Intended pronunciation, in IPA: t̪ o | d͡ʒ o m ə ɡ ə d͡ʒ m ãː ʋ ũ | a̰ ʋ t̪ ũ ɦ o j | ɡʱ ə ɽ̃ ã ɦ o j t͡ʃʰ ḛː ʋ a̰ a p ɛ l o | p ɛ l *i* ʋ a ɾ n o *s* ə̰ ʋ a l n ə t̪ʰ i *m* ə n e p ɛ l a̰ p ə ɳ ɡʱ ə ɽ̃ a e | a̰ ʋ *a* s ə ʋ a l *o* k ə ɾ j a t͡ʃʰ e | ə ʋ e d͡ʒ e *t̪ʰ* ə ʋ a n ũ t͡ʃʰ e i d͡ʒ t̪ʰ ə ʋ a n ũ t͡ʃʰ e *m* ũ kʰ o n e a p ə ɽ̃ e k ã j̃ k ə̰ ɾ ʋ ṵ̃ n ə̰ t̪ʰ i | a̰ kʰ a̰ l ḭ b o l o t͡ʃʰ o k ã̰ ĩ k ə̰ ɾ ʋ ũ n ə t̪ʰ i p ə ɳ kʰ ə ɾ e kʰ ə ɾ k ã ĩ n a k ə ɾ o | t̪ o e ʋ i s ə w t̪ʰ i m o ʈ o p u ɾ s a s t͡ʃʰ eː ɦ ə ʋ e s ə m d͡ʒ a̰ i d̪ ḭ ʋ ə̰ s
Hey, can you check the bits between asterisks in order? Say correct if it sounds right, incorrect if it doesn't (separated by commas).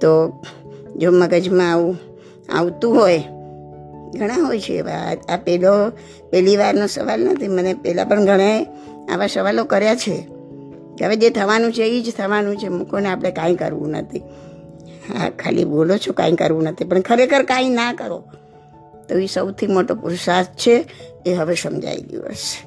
correct, correct, correct, correct, correct, correct, correct